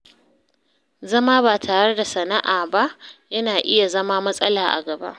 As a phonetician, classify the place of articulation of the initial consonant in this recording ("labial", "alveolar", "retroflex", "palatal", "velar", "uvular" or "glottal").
alveolar